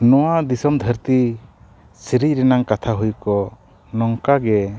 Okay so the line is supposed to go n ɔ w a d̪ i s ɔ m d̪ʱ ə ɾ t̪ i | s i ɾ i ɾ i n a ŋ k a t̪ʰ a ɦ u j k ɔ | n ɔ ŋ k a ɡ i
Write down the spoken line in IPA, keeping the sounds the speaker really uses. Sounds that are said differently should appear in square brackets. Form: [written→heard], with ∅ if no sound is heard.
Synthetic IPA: n ɔ w a d̪ i s ɔ m d̪ʱ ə ɾ t̪ i | s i ɾ i ɾ [i→ɛ] n a ŋ k a t̪ʰ a ɦ u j k ɔ | n ɔ ŋ k a ɡ [i→ɛ]